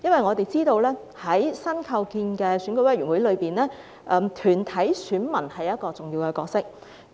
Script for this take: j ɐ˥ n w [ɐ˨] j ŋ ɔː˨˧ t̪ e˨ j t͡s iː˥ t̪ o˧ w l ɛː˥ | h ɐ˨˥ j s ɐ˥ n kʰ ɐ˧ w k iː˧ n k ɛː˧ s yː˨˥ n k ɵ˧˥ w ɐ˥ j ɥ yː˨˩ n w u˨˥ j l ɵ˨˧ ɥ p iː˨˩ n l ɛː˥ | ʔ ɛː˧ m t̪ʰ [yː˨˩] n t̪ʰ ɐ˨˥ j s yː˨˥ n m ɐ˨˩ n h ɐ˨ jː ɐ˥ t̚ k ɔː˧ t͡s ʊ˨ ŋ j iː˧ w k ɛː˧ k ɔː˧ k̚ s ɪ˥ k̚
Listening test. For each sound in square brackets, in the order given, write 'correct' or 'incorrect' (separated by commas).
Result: correct, correct